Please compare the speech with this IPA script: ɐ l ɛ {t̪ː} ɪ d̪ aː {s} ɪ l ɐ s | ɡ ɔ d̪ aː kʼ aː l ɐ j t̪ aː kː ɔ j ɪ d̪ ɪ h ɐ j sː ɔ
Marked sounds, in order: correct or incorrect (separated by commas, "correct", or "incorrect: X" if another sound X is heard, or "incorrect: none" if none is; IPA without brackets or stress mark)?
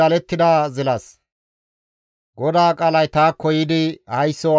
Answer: correct, incorrect: z